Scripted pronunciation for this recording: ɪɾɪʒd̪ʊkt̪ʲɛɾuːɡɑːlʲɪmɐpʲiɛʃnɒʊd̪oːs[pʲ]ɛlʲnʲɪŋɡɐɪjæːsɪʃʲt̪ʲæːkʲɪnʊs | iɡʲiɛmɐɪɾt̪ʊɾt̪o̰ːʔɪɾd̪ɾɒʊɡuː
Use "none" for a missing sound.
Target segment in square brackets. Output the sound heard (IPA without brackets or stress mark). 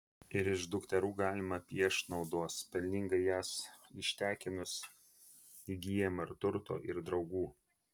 pʲ